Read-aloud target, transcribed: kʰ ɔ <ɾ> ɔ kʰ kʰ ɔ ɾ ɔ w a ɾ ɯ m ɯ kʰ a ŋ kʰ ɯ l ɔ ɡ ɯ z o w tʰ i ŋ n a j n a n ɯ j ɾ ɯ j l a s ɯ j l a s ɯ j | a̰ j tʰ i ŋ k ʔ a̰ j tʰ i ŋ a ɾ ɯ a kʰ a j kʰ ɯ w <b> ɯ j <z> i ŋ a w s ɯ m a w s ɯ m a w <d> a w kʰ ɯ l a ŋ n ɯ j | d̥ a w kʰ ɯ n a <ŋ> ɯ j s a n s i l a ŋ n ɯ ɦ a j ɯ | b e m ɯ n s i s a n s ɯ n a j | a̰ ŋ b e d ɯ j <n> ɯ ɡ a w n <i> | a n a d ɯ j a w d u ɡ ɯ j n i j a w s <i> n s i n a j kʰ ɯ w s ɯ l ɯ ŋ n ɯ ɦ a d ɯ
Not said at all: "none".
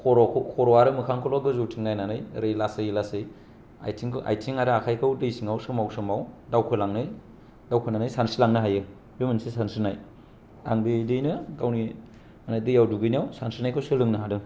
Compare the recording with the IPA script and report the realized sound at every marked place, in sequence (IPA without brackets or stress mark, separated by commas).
ɾ, d, s, d, n, n, i, a